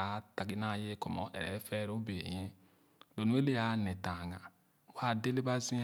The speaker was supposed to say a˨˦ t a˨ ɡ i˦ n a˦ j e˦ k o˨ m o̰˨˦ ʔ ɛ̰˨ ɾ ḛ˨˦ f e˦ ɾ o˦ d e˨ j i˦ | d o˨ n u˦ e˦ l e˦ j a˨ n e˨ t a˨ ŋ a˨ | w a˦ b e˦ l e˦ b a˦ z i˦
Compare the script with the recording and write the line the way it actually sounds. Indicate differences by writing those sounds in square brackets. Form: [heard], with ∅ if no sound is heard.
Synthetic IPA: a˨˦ t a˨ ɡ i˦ n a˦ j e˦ k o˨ m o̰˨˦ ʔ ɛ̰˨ ɾ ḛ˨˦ f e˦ ɾ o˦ [b] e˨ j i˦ | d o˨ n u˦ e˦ l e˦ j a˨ n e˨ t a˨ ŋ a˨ | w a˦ [d] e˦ l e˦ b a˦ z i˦